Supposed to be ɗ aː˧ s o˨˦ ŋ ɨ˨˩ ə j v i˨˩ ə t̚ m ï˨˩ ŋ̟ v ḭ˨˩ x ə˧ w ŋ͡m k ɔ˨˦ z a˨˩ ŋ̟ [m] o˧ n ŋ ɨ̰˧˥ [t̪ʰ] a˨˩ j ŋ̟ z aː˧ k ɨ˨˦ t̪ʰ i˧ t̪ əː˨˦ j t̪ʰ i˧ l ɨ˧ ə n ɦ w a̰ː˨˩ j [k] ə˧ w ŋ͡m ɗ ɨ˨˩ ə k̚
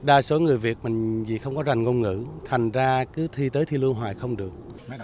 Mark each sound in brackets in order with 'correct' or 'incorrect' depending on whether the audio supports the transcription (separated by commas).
incorrect, correct, incorrect